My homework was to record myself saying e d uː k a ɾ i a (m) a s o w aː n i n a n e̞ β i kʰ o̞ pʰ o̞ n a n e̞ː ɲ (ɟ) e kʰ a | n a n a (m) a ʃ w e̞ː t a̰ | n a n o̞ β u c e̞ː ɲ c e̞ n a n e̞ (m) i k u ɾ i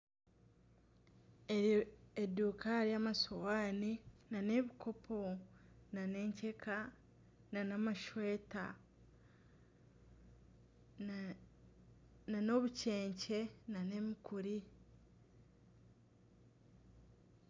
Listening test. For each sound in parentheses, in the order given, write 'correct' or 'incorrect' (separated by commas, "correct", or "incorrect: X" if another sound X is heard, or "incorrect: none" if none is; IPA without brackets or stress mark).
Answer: correct, incorrect: c, correct, correct